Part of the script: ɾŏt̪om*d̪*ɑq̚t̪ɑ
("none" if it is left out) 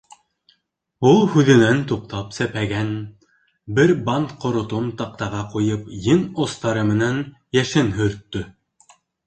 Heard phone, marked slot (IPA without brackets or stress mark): t̪